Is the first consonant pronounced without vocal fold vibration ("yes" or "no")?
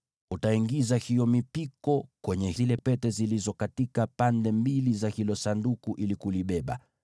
yes